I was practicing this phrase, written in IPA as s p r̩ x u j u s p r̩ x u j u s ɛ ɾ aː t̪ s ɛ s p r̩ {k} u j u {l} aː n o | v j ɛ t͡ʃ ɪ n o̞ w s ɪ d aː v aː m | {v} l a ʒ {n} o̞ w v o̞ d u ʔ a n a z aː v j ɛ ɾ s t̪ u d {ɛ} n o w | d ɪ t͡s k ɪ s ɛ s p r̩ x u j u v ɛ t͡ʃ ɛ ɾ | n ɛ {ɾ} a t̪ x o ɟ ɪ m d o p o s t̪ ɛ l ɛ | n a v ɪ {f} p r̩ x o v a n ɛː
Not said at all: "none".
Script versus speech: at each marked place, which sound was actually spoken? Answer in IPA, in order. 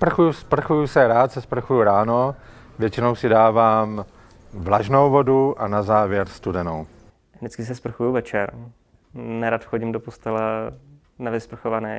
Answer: x, ɾ, v, n, ɛ, ɾ, s

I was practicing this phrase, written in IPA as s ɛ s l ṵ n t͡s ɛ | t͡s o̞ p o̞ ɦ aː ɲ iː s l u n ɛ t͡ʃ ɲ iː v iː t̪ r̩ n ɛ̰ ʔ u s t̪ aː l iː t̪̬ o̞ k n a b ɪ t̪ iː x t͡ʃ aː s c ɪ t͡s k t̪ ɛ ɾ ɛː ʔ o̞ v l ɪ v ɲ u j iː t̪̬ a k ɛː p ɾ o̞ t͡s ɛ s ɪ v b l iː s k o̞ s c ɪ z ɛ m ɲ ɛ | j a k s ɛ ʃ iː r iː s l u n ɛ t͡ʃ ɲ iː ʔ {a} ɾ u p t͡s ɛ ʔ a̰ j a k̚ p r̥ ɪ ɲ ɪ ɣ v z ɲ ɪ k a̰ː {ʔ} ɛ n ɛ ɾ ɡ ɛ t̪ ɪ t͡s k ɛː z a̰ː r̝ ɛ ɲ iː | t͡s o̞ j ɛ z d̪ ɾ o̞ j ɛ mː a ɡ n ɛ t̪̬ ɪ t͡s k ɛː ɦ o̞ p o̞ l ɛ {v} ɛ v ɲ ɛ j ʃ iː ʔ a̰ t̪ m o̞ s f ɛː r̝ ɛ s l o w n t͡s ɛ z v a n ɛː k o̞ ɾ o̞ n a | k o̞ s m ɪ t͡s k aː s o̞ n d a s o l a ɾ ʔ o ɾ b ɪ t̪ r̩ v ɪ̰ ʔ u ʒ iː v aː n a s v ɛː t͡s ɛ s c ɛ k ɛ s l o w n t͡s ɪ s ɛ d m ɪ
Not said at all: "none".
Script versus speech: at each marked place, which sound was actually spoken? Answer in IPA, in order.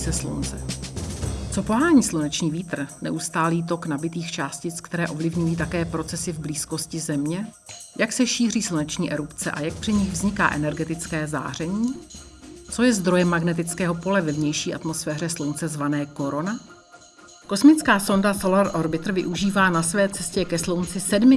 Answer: ɛ, ʔ, v

